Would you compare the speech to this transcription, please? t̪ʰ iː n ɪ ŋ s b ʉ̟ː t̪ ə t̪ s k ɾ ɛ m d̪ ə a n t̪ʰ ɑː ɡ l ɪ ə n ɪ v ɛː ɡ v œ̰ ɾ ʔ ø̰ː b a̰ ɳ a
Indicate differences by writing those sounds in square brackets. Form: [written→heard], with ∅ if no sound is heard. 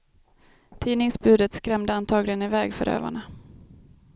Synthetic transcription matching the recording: t̪ʰ iː n ɪ ŋ s b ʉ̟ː [t̪→d̪] ə t̪ s k ɾ ɛ m d̪ ə a n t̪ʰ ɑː ɡ l ɪ ə n ɪ v ɛː ɡ [v→f] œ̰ ɾ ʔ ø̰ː [b→v] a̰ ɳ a